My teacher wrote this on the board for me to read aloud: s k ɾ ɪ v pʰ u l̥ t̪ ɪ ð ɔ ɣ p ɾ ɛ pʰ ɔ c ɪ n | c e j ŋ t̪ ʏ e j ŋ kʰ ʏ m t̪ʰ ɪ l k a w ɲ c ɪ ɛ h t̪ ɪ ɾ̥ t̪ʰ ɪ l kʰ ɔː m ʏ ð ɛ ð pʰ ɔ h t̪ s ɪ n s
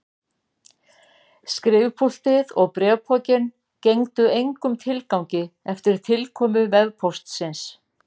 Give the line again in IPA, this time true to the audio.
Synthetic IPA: s k ɾ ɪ v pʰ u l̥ t̪ ɪ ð ɔ ɣ p ɾ ɛ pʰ ɔ c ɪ n | c e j ŋ t̪ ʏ e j ŋ k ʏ m t̪ʰ ɪ l k a w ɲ c ɪ ɛ f t̪ ɪ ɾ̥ t̪ʰ ɪ l kʰ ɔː m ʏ v ɛ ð pʰ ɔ s t̪ s ɪ n s